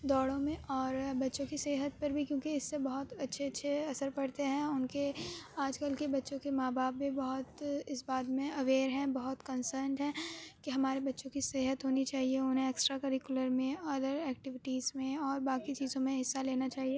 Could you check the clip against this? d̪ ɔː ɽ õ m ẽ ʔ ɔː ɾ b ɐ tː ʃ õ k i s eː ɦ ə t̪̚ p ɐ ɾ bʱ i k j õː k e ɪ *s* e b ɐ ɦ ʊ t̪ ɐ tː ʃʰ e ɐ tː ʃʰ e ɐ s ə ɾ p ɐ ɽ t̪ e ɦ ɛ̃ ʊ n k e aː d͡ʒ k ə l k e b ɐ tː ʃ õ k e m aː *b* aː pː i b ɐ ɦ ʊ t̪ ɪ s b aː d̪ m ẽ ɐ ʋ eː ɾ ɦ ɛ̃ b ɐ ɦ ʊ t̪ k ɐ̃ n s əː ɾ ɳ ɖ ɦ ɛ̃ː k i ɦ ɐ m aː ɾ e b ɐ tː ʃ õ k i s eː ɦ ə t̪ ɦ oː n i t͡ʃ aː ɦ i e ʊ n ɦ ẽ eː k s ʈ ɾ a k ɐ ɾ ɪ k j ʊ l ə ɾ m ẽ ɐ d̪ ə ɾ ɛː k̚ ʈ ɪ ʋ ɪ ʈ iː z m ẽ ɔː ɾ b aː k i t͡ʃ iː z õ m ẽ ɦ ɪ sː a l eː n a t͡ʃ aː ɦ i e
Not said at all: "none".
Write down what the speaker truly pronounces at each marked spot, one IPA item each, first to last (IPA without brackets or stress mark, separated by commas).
sː, b